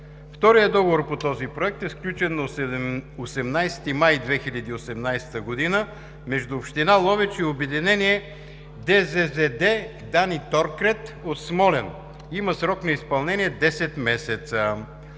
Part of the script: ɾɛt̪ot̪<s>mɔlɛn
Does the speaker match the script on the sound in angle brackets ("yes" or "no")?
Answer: yes